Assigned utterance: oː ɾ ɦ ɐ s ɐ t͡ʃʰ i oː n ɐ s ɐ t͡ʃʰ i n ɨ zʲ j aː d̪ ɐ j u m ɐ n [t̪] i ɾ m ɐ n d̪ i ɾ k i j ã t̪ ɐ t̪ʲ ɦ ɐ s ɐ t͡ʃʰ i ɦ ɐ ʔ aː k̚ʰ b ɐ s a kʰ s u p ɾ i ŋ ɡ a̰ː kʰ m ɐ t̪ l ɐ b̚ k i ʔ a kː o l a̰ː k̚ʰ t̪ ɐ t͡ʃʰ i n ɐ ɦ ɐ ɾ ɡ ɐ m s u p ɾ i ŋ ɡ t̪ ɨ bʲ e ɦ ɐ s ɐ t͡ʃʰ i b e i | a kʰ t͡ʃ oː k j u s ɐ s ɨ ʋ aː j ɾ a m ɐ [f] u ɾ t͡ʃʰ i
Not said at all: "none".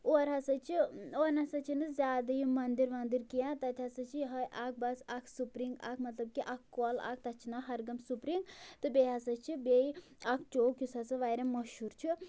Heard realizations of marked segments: d̪, ʃ

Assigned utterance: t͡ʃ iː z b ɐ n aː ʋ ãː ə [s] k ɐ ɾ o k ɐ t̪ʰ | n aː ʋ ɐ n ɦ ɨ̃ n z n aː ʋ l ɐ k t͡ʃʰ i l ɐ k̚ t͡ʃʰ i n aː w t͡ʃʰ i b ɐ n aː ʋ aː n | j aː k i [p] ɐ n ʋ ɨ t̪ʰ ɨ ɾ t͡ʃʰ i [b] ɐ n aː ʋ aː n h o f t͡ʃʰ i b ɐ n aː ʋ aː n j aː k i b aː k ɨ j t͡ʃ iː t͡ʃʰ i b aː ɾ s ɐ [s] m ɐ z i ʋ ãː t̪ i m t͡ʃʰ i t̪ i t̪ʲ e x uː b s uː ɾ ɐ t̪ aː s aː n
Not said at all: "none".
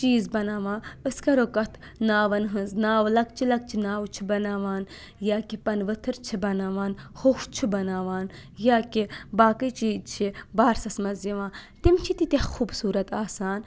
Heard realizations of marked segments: s, p, b, s

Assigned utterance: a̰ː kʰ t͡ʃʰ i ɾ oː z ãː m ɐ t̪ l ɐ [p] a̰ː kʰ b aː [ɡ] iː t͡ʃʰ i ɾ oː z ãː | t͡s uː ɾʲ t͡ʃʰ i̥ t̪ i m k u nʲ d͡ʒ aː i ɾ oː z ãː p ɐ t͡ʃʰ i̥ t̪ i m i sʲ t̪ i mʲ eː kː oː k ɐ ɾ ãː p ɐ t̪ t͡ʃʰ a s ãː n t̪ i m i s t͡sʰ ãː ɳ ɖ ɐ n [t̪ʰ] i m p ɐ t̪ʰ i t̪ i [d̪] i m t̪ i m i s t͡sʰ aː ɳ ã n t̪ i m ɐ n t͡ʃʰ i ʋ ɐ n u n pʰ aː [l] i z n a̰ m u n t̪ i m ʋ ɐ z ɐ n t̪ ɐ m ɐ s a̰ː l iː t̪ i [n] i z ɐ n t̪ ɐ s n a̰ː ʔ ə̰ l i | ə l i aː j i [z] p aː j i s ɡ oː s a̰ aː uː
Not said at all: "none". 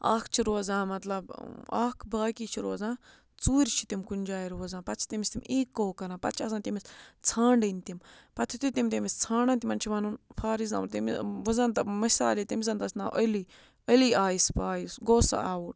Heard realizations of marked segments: b, k, t̪, t̪, ɾ, m, s

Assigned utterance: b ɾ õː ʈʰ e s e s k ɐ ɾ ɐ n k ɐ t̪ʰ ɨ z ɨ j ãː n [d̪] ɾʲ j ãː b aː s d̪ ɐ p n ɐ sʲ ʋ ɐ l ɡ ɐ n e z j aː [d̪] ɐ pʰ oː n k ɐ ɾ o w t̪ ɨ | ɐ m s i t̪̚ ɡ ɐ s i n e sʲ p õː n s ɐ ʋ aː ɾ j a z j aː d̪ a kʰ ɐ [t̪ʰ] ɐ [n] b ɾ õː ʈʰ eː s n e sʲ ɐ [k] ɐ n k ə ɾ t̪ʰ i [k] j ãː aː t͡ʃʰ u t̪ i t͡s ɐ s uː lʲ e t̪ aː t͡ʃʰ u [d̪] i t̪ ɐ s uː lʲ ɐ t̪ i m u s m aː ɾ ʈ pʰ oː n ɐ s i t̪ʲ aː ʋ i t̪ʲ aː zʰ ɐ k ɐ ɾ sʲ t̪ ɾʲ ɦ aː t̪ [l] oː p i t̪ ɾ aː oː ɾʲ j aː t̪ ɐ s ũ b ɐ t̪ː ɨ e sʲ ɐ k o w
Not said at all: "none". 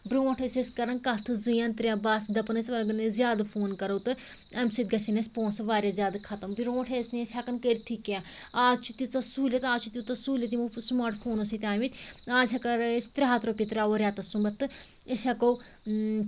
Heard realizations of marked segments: t̪, d̪, t̪, m, k, k, t̪, ɾ

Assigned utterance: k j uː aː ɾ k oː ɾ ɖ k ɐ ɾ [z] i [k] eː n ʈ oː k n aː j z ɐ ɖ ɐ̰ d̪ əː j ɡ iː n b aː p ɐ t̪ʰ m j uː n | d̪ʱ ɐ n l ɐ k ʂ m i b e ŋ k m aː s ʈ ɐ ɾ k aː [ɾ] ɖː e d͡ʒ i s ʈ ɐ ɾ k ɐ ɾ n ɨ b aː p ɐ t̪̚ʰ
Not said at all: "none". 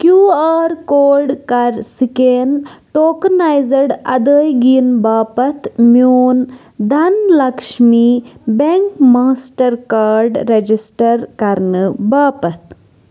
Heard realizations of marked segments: s, k, ɾ

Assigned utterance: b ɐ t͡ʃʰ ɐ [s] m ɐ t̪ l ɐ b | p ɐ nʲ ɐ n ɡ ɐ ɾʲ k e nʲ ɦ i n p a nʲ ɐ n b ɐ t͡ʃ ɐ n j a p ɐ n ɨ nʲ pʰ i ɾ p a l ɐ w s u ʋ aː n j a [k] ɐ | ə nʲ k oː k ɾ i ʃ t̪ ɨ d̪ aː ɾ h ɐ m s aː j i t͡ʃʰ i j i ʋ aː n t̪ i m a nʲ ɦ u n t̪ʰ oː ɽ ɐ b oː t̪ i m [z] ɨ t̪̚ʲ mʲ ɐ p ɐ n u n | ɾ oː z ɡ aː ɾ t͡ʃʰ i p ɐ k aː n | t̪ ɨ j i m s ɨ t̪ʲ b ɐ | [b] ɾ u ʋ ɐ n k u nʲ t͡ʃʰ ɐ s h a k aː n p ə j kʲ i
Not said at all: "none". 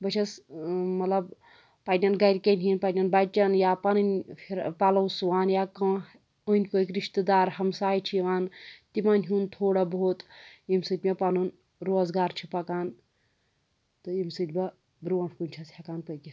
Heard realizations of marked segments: s, k, s, b

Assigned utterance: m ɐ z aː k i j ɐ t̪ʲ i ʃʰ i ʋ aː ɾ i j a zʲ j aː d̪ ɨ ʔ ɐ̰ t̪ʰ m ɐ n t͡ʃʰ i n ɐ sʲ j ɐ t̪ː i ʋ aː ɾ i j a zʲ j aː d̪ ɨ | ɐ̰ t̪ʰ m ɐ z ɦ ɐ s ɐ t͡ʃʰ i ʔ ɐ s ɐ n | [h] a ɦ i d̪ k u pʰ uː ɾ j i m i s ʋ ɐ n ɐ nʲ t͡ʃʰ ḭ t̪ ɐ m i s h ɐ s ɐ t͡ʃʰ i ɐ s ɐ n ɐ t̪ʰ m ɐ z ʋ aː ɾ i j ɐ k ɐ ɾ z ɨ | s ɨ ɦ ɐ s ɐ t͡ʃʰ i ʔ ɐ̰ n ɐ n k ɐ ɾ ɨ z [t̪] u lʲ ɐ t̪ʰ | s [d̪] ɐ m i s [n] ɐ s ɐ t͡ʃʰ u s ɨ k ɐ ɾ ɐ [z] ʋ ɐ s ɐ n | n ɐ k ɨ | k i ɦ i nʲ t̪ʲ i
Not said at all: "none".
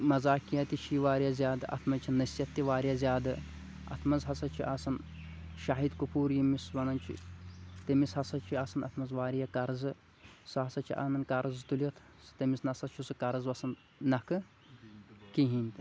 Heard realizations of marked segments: ʃ, t̪, t̪, n, z

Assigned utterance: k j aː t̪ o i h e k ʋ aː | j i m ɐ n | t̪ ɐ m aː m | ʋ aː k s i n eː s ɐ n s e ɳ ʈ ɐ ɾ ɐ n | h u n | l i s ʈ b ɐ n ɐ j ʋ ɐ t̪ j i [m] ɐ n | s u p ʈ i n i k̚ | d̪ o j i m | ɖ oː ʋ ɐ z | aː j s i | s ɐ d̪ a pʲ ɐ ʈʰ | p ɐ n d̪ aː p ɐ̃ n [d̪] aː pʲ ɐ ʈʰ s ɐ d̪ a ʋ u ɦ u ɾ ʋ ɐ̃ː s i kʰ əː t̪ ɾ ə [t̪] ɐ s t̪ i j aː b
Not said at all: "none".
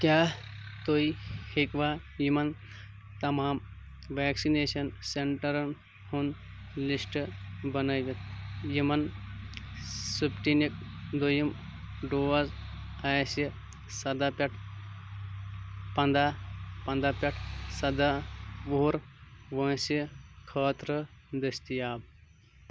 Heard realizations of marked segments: m, d̪, d̪

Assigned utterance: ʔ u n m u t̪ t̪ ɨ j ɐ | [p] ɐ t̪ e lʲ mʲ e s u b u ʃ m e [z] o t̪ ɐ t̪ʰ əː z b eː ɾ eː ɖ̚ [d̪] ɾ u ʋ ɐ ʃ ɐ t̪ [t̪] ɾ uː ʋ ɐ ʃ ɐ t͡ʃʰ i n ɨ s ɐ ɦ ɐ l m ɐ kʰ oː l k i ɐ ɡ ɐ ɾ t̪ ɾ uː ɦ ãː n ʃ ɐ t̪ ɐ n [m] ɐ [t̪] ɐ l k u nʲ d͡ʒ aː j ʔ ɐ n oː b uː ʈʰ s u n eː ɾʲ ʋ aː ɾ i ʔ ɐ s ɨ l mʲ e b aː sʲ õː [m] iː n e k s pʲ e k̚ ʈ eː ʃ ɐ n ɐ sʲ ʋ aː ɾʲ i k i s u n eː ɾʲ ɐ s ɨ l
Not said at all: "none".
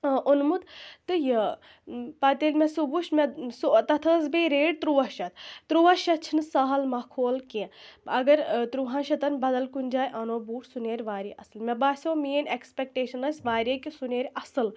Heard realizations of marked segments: p, s, t̪, t̪, b, d̪, m

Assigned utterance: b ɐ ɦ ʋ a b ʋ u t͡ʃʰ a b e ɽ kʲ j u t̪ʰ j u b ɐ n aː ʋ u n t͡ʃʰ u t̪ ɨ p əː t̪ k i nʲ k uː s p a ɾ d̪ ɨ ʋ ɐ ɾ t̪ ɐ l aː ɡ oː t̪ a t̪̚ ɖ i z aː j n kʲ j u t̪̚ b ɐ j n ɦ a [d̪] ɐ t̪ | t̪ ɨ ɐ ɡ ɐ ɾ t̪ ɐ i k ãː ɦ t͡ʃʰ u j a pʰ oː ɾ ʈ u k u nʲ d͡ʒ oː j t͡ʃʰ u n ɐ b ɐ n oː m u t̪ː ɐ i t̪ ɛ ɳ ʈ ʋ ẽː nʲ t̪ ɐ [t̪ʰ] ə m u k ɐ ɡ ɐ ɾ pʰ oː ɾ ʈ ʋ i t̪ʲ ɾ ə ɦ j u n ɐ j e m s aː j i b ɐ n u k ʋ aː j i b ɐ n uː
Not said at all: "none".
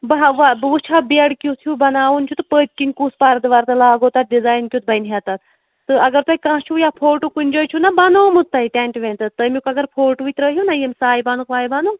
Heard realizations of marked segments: t̪, t̪

